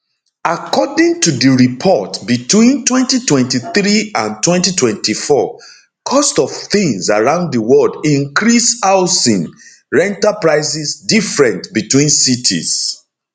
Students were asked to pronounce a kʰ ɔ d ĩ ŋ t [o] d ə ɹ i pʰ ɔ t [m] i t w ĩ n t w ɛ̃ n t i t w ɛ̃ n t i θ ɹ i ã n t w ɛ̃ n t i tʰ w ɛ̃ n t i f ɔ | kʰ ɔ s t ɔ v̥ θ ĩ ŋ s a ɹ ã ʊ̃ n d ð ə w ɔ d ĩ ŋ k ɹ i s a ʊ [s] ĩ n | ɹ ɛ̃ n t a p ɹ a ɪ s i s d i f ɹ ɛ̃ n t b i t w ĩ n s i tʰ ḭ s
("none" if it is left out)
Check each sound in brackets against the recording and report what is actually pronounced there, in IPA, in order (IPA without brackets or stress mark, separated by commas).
u, b, s